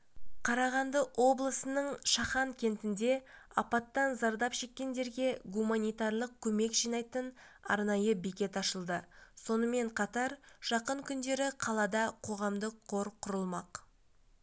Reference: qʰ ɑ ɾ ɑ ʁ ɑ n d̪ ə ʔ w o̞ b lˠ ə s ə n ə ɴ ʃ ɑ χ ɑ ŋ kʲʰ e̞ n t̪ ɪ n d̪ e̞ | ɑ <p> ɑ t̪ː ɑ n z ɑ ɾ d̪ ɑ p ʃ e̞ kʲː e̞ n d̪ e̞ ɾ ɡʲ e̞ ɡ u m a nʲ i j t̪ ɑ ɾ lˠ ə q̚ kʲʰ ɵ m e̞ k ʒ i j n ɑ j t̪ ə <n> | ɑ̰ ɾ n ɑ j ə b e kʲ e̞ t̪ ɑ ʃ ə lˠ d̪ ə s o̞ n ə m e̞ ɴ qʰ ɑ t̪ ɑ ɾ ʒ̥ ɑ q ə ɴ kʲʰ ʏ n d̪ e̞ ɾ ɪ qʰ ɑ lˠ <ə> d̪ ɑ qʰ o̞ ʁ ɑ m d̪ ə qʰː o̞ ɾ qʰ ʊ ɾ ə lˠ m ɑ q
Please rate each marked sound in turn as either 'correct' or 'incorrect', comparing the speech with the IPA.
correct, correct, incorrect: ɑ

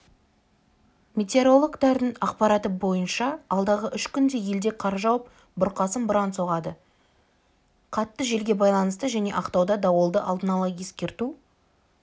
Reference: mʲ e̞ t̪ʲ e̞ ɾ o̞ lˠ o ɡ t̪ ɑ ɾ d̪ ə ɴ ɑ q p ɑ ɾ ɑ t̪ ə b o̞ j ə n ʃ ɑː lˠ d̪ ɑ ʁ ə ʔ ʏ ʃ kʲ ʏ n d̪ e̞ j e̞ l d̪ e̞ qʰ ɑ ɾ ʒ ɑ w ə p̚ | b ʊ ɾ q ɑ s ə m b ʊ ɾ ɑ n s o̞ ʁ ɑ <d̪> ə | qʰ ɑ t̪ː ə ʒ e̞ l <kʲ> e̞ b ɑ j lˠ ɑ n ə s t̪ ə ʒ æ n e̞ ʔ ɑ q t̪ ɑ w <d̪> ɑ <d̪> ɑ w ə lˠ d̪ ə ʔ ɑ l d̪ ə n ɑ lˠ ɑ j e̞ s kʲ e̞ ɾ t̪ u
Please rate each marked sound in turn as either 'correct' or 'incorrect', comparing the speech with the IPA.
correct, incorrect: ɡʲ, correct, correct

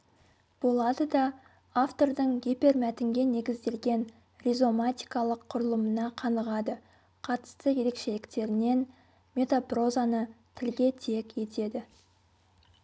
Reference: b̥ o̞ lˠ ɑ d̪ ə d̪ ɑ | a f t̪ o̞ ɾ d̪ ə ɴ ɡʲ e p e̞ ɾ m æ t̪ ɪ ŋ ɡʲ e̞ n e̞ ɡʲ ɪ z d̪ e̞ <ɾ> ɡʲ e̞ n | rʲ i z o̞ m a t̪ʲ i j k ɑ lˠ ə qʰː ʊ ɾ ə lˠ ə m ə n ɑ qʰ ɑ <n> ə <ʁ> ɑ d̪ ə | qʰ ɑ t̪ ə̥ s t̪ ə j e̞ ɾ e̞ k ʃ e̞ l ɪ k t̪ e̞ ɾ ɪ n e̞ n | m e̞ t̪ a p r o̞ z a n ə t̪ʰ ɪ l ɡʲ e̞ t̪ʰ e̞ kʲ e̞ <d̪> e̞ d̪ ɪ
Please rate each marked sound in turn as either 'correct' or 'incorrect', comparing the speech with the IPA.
incorrect: l, correct, correct, incorrect: t̪

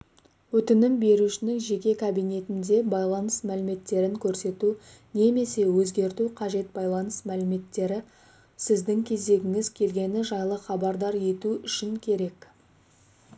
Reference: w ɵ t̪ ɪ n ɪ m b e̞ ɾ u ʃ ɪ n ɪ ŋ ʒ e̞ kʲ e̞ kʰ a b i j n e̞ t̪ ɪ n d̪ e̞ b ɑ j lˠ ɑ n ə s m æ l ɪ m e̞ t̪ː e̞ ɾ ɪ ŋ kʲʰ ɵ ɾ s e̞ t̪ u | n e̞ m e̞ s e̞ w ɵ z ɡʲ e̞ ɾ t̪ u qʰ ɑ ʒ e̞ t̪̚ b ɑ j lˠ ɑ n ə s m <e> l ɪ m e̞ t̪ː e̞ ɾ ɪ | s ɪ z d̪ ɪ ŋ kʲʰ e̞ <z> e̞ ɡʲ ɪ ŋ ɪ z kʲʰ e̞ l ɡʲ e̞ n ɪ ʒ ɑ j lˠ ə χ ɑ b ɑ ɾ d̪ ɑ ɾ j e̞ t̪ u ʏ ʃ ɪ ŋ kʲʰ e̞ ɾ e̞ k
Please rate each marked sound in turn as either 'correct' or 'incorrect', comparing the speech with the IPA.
incorrect: æ, correct

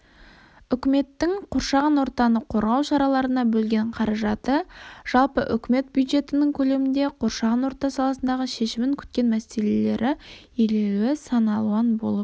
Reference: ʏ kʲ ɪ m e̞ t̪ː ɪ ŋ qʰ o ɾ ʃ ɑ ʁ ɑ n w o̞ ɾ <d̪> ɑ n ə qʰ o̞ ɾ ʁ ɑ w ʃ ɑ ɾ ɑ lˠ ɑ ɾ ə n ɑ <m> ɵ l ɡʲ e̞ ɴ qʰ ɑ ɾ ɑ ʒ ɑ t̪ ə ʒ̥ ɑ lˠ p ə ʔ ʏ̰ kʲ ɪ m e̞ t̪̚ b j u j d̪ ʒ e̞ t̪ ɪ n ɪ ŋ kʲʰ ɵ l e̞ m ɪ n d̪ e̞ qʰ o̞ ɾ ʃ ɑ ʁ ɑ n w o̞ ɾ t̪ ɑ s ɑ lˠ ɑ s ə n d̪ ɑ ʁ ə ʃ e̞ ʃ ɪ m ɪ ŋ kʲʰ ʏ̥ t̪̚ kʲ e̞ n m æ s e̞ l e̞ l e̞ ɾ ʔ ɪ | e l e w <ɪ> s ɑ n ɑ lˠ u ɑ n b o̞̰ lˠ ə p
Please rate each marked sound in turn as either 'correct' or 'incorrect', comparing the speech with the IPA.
incorrect: t̪, incorrect: b, correct

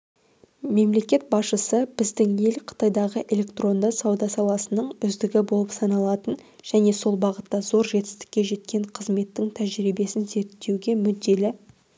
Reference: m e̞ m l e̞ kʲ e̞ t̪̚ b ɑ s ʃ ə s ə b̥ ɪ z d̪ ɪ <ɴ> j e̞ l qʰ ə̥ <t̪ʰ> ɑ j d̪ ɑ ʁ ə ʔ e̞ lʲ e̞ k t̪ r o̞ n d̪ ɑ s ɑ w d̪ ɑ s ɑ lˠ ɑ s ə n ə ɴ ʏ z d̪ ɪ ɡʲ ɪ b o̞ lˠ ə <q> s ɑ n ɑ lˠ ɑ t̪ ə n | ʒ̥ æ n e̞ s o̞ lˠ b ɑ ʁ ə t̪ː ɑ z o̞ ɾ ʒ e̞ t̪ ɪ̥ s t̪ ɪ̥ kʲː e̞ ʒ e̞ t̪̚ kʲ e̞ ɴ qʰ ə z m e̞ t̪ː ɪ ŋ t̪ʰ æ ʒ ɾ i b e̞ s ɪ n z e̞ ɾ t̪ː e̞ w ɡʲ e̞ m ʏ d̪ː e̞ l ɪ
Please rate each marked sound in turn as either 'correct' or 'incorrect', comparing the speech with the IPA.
incorrect: ŋ, incorrect: t̪, incorrect: p

